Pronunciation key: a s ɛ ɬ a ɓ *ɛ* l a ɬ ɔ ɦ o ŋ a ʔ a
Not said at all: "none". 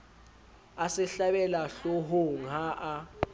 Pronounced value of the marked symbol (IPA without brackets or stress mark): ɛ